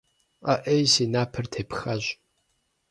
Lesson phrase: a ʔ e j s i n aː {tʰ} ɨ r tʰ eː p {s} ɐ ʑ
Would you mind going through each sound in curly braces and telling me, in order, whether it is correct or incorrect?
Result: incorrect: pʰ, incorrect: x

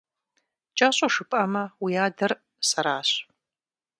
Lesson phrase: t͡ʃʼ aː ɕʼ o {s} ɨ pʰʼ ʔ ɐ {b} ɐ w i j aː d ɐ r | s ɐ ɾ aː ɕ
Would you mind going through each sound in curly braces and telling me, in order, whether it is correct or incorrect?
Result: incorrect: ʂ, incorrect: m

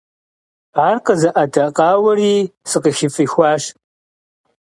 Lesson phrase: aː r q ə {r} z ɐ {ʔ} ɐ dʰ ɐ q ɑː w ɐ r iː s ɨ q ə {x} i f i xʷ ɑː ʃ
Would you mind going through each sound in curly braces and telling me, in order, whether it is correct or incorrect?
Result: incorrect: none, correct, correct

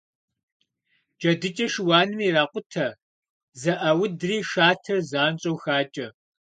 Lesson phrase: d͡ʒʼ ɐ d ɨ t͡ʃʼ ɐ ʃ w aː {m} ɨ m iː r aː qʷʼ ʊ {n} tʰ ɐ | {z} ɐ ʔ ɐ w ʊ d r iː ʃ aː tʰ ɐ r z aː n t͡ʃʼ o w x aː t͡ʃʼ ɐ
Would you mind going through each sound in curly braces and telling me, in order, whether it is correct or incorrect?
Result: incorrect: n, incorrect: none, correct

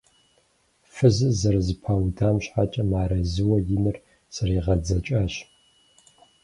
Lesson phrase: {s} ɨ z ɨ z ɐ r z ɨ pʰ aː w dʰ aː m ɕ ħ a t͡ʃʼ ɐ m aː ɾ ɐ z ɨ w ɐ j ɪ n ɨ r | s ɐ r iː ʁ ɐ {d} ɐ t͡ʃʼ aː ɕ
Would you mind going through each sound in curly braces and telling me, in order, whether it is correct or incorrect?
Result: incorrect: f, incorrect: d͡z

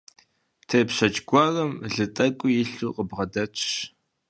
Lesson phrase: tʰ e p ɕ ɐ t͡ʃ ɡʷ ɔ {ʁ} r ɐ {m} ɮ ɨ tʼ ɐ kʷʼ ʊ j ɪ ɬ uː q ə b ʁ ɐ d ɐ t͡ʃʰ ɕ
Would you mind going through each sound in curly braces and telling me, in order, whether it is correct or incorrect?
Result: incorrect: none, correct

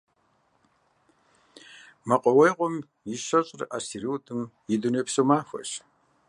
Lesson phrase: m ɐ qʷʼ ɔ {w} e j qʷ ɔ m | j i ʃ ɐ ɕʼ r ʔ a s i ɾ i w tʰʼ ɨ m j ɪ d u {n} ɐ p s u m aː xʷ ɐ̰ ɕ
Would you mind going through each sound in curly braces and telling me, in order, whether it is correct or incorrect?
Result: correct, correct

